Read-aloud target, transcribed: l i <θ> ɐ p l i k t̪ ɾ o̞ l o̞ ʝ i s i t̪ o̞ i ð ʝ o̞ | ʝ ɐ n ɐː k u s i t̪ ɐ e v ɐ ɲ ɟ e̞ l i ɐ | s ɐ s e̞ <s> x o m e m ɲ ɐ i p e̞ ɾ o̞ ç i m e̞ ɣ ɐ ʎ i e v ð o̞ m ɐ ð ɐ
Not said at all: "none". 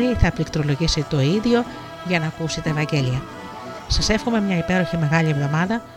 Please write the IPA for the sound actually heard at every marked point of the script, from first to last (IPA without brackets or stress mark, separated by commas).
θ, f